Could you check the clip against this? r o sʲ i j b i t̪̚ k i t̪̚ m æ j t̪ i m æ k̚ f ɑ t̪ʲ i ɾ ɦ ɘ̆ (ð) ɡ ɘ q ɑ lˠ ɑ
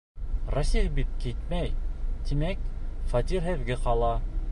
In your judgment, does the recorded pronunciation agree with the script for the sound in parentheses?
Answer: yes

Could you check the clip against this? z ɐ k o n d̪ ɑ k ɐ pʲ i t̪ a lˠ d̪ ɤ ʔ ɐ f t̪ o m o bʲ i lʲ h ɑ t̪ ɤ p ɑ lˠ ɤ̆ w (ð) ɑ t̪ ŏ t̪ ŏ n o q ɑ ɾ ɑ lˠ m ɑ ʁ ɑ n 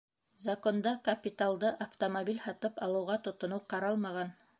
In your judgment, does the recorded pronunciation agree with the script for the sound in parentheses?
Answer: no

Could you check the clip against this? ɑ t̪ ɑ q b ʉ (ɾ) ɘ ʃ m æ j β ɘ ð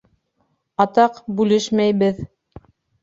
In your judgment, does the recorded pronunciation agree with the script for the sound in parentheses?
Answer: no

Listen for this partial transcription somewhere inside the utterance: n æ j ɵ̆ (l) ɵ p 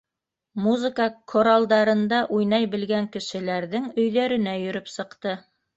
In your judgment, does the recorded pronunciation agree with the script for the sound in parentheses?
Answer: no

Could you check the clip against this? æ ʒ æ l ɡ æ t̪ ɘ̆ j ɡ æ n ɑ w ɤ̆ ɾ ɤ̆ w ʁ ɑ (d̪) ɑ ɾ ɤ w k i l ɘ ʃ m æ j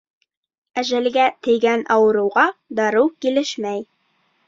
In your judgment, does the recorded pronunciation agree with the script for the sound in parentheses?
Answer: yes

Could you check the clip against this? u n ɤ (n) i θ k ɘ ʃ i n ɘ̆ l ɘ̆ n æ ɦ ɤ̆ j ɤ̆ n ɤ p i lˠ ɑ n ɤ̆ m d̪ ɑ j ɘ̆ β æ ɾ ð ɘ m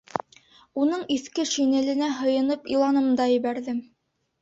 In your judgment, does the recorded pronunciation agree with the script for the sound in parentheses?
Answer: no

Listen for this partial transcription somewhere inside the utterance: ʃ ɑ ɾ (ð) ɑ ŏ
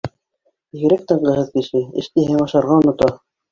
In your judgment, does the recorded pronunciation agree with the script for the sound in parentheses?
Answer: no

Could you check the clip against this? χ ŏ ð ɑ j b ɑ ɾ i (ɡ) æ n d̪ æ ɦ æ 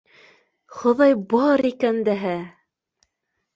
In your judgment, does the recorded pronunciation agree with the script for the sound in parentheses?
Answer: no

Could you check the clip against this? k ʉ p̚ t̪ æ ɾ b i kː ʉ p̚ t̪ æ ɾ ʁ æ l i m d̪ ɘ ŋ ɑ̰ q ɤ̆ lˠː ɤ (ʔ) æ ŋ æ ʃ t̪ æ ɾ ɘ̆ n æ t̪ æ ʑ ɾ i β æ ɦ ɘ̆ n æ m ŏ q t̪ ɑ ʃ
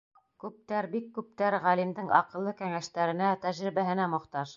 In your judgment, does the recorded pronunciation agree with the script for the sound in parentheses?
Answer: no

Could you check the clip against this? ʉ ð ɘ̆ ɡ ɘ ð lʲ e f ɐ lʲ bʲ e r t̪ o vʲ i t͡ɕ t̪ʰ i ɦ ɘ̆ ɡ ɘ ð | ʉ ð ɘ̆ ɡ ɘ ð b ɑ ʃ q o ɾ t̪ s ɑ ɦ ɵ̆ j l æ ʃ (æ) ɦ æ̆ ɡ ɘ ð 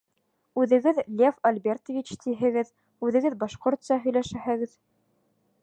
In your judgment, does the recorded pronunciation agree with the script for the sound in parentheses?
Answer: yes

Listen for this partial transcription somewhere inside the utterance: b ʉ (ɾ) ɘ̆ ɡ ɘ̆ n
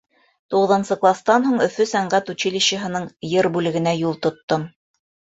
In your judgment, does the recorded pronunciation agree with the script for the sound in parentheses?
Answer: no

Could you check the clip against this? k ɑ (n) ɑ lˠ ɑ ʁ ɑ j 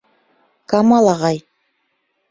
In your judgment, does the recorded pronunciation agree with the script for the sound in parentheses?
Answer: no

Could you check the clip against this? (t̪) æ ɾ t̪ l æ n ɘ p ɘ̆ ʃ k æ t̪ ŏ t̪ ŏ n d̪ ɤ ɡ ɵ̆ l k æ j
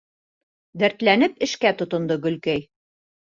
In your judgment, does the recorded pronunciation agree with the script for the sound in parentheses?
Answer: no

